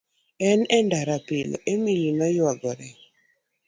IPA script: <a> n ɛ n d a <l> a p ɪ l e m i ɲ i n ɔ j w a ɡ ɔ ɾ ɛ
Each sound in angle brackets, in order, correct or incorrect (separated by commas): incorrect, incorrect